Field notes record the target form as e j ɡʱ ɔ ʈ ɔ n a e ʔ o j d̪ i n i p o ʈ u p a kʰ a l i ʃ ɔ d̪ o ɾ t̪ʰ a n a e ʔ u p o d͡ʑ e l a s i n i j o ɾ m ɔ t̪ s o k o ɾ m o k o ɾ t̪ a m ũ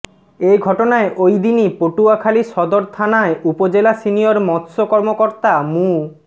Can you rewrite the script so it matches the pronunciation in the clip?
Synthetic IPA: e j ɡʱ ɔ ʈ o n a e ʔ o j d̪ i n i p o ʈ u a kʰ a l i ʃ ɔ d̪ o ɾ t̪ʰ a n a e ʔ u p o d͡ʑ e l a s i n i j o ɾ m ɔ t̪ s o k ɔ ɾ m o k o ɾ t̪ a m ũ